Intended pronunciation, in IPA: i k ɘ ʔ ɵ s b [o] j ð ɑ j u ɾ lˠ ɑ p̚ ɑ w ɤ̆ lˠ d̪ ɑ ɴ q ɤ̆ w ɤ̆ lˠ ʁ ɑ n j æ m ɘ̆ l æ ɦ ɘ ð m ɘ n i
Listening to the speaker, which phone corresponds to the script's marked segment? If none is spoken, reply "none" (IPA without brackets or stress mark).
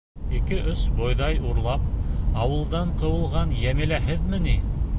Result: o